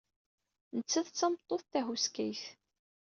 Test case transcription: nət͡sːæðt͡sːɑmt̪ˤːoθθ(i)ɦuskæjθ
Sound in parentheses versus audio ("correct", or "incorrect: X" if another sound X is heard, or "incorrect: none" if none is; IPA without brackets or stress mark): incorrect: æ